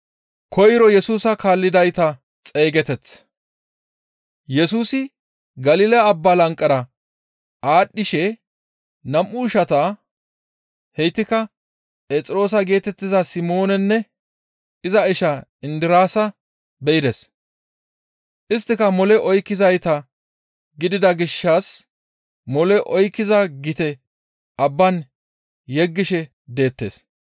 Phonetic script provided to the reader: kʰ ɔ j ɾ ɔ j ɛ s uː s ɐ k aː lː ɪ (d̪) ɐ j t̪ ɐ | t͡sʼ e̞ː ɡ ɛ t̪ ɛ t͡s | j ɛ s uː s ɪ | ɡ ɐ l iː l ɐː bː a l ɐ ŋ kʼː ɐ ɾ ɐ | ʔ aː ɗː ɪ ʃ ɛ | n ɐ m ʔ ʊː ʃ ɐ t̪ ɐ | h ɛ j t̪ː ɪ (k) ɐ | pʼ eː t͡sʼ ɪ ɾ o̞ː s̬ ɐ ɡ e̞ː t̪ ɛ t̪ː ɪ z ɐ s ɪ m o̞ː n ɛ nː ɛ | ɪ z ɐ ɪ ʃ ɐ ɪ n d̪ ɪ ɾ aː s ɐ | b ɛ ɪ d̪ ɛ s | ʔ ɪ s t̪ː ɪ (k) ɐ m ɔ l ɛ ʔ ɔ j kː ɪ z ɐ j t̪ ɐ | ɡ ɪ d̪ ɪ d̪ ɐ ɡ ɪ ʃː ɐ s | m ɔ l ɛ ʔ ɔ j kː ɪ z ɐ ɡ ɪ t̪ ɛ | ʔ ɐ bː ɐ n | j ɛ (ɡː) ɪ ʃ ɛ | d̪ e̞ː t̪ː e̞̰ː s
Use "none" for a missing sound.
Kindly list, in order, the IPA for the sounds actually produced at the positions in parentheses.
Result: d̪, k, k, ɡː

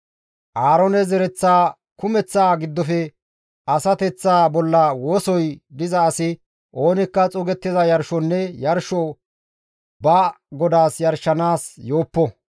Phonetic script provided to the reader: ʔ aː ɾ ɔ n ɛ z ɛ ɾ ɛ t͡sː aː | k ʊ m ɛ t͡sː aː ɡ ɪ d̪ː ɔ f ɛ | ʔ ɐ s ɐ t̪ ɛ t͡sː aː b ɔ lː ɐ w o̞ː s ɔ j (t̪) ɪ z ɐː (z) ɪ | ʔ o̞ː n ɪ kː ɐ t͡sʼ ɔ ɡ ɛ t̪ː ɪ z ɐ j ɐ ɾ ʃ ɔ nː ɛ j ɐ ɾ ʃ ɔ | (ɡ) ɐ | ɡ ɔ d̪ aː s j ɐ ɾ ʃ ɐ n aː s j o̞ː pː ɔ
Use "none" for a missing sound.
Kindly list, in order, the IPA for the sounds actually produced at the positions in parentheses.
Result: d̪, s, b

